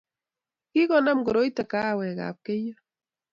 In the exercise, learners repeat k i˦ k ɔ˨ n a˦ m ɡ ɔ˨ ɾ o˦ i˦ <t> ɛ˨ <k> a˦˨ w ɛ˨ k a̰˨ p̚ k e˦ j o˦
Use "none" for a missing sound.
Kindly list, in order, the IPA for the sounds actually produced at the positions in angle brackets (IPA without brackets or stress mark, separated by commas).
t, k